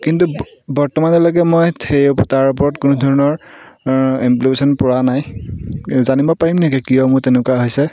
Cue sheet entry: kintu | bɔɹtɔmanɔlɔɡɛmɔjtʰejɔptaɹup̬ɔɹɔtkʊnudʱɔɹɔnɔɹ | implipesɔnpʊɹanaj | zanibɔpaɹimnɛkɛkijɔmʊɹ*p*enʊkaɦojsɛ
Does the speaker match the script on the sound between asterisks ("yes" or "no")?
no